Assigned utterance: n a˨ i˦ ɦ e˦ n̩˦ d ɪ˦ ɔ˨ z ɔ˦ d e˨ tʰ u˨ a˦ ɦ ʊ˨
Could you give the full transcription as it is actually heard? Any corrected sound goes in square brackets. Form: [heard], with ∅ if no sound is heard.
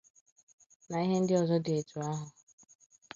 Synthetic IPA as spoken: n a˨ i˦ ɦ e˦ n̩˦ d ɪ˦ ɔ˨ z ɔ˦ d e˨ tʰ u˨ a˦ ɦ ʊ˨